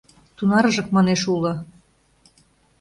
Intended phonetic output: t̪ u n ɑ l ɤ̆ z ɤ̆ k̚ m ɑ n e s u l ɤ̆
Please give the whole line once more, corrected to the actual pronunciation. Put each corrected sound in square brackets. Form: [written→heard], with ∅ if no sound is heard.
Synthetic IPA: t̪ u n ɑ [l→ɾ] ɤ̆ [z→ʒ] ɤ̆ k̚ m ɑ n e [s→ʃ] u l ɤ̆